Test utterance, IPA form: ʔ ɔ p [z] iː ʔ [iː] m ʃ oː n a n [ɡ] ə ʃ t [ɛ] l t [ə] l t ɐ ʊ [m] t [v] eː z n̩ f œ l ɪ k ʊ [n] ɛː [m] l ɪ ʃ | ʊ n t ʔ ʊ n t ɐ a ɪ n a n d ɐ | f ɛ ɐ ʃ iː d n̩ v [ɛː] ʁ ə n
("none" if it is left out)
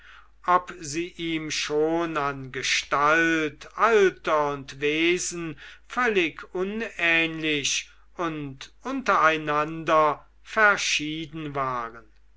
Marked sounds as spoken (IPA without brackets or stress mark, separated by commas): z, iː, ɡ, a, a, n, v, n, n, aː